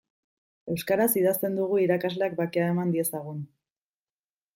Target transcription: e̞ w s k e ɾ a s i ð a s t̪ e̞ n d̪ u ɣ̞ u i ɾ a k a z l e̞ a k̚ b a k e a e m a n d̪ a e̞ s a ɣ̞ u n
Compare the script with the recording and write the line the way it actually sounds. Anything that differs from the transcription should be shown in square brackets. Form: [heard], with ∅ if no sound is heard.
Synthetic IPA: e̞ w s k [a] ɾ a s i ð a s t̪ e̞ n d̪ u ɣ̞ u i ɾ a k a z l e̞ a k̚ b a k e a e m a n d̪ [i] e̞ s a ɣ̞ u n